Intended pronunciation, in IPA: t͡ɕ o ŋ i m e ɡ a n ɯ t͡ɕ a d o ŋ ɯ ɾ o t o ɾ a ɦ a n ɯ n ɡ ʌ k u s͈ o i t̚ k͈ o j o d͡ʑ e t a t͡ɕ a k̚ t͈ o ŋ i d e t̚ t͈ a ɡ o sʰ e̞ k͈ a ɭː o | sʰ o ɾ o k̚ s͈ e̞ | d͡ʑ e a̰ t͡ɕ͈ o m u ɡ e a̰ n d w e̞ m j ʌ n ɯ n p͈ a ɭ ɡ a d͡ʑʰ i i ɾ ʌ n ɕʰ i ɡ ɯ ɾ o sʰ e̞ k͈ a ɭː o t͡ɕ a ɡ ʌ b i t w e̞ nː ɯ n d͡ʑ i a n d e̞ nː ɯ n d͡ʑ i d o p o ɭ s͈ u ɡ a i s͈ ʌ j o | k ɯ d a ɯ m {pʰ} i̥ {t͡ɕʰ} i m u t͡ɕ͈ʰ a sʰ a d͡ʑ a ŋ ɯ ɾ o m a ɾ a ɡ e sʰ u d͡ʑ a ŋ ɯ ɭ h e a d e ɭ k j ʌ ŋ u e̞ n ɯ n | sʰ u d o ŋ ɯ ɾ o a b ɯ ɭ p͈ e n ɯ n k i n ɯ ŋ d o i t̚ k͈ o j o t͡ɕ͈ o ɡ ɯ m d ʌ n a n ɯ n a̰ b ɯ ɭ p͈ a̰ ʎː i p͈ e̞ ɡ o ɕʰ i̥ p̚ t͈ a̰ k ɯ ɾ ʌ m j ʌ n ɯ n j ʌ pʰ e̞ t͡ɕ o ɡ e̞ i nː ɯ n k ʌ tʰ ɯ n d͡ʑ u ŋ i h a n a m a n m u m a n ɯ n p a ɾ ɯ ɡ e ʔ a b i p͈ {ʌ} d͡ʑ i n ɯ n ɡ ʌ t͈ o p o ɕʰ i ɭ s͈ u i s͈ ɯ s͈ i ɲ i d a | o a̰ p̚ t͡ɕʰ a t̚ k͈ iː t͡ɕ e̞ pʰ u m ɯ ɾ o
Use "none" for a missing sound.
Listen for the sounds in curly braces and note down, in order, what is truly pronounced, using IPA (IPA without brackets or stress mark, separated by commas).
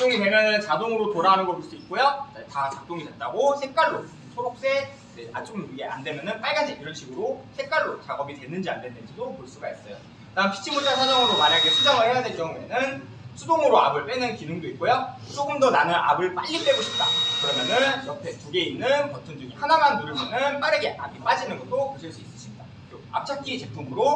pʰ, t͡ɕʰ, a